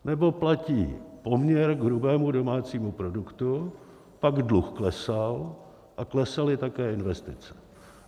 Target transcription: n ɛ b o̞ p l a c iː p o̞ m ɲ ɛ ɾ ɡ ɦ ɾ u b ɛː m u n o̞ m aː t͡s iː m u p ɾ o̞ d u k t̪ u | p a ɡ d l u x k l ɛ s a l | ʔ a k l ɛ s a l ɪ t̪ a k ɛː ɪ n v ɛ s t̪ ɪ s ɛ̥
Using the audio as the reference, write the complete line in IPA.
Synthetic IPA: n ɛ b o̞ p l a c iː p o̞ m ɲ ɛ ɾ ɡ ɦ ɾ u b ɛː m u d o̞ m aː t͡s iː m u p ɾ o̞ d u k t̪ u | p a ɡ d l u x k l ɛ s a l | ʔ a k l ɛ s a l ɪ t̪ a k ɛː ɪ n v ɛ s t̪ ɪ t͡s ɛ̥